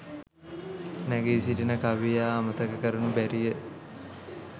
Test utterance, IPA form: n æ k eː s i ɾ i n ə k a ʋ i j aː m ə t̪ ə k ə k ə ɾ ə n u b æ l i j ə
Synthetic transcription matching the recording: n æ ɡ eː s i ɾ i n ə k a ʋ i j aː m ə t̪ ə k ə k ə ɾ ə n u b æ ɾ i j ə